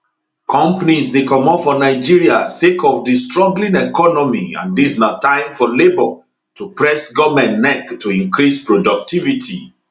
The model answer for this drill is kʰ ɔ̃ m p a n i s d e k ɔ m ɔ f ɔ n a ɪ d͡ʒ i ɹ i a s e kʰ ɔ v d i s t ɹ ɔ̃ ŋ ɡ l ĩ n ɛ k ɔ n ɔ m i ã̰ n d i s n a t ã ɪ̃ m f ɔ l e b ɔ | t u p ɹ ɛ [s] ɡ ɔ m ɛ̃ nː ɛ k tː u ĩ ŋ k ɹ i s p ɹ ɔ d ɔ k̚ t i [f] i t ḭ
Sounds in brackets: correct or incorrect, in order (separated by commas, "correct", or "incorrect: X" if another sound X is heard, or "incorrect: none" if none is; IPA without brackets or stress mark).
correct, incorrect: v